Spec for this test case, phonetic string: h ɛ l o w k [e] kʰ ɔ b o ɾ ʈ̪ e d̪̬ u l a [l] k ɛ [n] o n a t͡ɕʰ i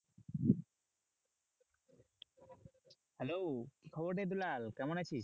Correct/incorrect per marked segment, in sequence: incorrect, correct, incorrect

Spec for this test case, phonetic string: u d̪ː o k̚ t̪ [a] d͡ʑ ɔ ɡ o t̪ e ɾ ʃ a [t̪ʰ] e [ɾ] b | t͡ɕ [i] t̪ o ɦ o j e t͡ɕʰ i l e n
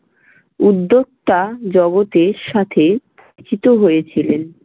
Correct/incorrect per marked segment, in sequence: correct, correct, incorrect, correct

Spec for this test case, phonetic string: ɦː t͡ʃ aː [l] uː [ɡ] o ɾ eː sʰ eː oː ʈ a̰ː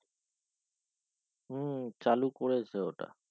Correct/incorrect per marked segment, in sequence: correct, incorrect

